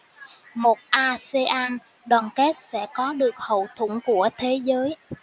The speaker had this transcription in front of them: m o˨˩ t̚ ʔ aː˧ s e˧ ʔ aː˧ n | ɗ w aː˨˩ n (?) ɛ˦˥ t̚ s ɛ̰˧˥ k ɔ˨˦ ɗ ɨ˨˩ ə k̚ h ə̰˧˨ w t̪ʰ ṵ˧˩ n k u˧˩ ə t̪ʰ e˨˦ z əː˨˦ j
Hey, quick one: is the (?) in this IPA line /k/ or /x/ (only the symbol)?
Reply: k